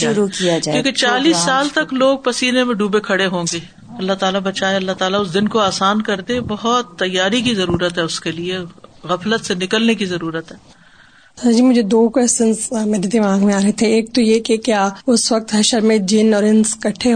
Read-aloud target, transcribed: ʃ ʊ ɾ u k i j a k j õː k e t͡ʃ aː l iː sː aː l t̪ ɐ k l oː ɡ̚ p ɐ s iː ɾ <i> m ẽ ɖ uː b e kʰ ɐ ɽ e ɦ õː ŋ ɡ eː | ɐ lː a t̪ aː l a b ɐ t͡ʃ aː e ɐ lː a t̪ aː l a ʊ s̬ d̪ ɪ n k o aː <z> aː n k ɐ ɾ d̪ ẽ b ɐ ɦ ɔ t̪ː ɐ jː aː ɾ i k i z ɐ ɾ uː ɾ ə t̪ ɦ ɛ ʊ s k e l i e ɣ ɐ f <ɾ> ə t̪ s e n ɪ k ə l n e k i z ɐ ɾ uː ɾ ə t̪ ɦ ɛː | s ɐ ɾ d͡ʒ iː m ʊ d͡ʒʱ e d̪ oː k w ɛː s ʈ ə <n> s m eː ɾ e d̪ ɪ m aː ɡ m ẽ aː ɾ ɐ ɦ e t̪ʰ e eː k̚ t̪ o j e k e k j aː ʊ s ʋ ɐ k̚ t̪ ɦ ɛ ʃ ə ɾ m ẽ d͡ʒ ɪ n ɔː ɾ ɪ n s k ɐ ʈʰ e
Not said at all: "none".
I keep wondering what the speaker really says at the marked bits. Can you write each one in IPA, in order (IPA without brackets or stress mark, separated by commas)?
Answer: e, s, l, n